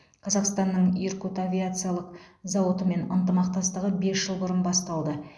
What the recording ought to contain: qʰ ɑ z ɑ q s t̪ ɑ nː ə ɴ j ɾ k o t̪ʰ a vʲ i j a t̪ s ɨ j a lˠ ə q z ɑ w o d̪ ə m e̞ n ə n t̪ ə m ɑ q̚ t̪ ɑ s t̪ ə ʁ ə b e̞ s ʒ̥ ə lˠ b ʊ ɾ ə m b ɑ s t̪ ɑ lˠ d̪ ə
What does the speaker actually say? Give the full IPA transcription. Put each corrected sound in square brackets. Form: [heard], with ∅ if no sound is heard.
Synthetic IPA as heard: qʰ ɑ z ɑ q s t̪ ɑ nː ə ɴ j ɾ k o [t̪] a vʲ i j a t̪ s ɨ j a lˠ ə q z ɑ w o [t̪] ə m e̞ n ə n t̪ ə m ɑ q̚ t̪ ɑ s t̪ ə ʁ ə b e̞ s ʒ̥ ə lˠ b ʊ ɾ ə [n] b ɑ s t̪ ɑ lˠ d̪ ə

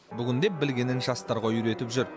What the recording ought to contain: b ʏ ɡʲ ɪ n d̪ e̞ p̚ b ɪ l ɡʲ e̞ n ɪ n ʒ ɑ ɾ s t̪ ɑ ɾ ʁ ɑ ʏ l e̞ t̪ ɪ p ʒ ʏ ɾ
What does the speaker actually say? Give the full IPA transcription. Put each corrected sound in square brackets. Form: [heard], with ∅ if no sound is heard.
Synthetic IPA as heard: b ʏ ɡʲ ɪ n d̪ e̞ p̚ b ɪ l ɡʲ e̞ n ɪ n ʒ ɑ [∅] s t̪ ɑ ɾ ʁ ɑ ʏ [ɾ] e̞ t̪ ɪ p ʒ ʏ ɾ

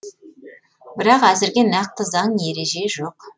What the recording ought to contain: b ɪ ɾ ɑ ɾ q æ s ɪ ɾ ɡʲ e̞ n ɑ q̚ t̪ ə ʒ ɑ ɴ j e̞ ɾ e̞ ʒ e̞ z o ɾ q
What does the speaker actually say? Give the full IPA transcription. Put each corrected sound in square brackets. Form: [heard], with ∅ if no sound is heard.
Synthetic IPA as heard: b ɪ ɾ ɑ [∅] q æ [z] ɪ ɾ ɡʲ e̞ n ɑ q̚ t̪ ə [z] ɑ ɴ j e̞ ɾ e̞ ʒ e̞ [ʒ] o [∅] q

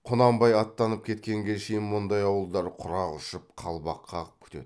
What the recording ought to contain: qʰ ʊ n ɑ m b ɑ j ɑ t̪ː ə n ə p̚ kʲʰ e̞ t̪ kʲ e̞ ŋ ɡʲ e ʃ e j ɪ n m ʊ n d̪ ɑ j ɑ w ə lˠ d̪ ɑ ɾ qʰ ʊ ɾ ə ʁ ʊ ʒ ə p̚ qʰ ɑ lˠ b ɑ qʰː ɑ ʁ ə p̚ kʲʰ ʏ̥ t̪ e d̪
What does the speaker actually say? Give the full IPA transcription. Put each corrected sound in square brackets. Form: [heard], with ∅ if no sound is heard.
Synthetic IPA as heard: qʰ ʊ n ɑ m b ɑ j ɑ t̪ː [ɑ] n ə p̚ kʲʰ e̞ t̪ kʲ e̞ ŋ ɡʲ e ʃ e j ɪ n m ʊ n d̪ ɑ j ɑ w ə lˠ d̪ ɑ ɾ qʰ ʊ ɾ [ɑ] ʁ ʊ [ʃ] ə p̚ qʰ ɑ lˠ b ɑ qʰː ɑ ʁ ə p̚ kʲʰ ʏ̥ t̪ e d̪

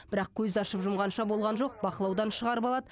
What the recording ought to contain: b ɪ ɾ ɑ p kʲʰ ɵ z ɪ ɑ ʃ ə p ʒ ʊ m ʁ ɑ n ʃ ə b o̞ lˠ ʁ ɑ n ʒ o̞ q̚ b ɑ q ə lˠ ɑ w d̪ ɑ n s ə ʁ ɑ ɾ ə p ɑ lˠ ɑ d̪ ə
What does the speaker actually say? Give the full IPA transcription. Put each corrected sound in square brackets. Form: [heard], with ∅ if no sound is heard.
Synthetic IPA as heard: b ɪ ɾ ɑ [q] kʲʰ ɵ z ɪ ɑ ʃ ə p ʒ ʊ m ʁ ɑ n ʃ [ɑ] b o̞ lˠ ʁ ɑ n ʒ o̞ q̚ b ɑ q ə lˠ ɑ w d̪ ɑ n [ʃ] ə ʁ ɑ ɾ ə p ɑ lˠ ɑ d̪ ə

